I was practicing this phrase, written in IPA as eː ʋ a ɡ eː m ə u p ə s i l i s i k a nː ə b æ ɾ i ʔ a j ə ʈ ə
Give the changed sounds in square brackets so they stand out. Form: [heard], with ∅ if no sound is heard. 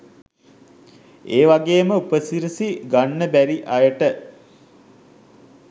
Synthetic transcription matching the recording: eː ʋ a ɡ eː m ə u p ə s i [ɾ] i s i [ɡ] a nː ə b æ ɾ i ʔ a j ə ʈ ə